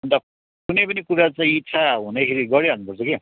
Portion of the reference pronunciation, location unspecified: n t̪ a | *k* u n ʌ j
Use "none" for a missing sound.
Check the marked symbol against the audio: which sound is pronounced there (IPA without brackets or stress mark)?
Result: k